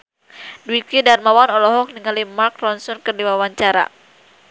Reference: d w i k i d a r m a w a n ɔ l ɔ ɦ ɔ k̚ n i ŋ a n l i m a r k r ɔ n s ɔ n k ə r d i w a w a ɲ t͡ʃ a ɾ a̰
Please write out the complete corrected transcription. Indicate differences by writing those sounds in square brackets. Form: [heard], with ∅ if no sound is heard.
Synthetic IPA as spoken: d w i k i d a r m a w a n ɔ l ɔ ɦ ɔ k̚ n i ŋ a [∅] l i m a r k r ɔ n s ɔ n k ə r d i w a w a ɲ t͡ʃ a ɾ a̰